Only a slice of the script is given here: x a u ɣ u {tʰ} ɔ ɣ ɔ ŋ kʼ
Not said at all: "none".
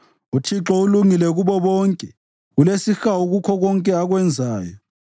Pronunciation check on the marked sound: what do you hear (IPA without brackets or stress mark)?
kʰ